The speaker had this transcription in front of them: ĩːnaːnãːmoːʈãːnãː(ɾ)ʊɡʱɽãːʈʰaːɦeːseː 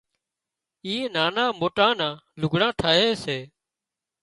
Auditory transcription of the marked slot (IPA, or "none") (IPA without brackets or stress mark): l